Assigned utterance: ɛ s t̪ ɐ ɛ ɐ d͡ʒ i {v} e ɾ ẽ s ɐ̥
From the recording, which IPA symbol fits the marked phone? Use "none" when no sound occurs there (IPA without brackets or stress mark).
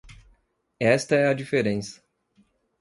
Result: f